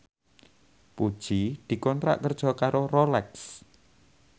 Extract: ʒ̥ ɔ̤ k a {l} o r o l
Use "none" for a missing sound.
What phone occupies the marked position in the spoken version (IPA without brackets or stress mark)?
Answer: ɾ